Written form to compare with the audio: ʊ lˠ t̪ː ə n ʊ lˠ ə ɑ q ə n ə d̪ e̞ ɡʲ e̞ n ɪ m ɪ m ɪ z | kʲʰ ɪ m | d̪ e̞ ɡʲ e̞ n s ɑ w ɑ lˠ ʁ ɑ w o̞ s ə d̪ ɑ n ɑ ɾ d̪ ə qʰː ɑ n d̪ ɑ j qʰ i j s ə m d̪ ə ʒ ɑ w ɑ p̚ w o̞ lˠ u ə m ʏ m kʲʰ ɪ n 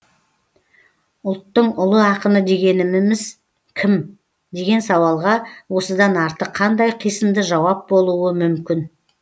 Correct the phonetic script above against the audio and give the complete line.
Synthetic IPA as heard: ʊ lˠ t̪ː ə ɴ ʊ lˠ ə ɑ q ə n ə d̪ e̞ ɡʲ e̞ n ɪ m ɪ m ɪ z | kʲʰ ɪ m | d̪ e̞ ɡʲ e̞ n s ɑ w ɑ lˠ ʁ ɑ w o̞ s ə d̪ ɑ n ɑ ɾ t̪ ə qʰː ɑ n d̪ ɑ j qʰ i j s ə m d̪ ə ʒ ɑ w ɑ p̚ b o̞ lˠ u ə m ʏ m kʲ ɪ n

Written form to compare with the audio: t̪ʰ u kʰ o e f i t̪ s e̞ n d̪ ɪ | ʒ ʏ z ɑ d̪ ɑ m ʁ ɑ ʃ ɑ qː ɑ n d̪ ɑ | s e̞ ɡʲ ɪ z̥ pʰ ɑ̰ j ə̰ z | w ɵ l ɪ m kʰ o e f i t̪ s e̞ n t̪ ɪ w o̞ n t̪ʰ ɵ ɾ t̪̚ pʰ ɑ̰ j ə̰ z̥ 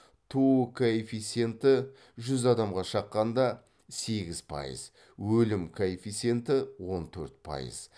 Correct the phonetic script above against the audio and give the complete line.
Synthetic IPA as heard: t̪ʰ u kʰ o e f i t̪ s e̞ n t̪ ɪ | ʒ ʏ z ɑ d̪ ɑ m ʁ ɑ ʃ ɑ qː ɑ n d̪ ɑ | s e̞ ɡʲ ɪ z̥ pʰ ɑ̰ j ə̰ z | w ɵ l ɪ m kʰ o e f i t̪ s e̞ n t̪ ɪ w o̞ n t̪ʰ ɵ ɾ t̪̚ pʰ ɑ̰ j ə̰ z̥

